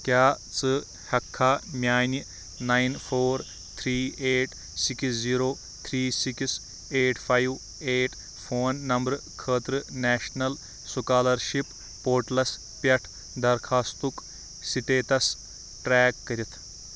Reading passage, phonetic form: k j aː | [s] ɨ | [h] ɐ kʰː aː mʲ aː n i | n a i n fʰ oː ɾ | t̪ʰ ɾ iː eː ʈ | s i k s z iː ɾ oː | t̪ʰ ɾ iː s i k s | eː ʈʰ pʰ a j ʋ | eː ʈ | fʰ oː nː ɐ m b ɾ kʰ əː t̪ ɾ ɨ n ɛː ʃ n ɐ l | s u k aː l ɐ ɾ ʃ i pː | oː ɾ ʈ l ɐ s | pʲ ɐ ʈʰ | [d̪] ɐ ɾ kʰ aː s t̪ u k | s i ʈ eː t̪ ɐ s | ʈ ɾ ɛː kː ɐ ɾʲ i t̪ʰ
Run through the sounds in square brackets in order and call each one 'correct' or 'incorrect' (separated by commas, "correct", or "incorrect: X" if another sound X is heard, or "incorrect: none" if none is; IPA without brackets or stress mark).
incorrect: t͡s, correct, correct